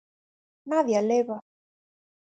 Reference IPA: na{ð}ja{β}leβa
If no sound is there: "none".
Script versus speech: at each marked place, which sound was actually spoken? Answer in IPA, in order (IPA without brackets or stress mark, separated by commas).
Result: ð, none